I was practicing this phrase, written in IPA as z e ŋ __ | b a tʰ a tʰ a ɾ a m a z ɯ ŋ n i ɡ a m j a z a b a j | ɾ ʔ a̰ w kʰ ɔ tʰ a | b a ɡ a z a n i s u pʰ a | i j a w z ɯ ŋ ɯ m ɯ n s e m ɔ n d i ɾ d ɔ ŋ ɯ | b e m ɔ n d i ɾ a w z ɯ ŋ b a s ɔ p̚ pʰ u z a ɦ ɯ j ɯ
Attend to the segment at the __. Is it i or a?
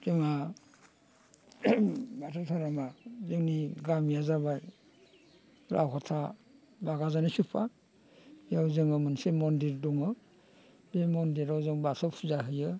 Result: a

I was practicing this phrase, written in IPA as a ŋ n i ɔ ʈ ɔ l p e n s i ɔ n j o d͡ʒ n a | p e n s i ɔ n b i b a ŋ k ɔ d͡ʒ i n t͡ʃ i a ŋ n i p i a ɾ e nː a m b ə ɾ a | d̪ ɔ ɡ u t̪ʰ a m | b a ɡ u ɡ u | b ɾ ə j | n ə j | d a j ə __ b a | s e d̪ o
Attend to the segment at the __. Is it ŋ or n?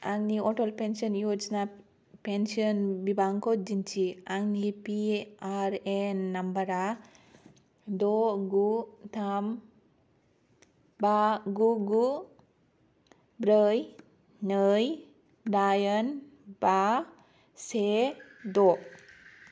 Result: n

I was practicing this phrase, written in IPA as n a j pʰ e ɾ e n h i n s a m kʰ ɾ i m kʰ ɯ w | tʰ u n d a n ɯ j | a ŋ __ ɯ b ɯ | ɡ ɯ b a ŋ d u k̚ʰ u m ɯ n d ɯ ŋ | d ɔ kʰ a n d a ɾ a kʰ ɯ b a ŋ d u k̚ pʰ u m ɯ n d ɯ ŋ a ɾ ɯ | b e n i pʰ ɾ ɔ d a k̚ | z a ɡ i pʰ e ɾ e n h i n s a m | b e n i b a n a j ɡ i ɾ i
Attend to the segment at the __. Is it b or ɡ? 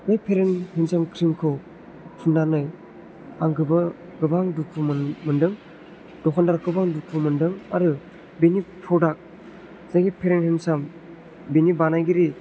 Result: ɡ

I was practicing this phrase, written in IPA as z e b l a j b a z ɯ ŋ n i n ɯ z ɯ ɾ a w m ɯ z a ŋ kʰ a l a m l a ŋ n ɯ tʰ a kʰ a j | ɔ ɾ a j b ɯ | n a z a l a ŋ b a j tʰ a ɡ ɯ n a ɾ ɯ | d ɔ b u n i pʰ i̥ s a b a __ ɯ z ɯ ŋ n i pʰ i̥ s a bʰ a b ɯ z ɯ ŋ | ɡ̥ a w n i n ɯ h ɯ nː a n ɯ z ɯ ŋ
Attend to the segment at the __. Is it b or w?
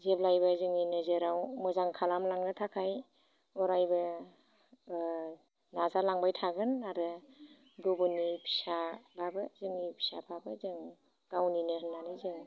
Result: b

